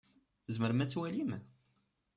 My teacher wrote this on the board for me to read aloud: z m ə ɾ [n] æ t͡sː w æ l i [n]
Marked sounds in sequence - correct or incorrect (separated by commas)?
incorrect, incorrect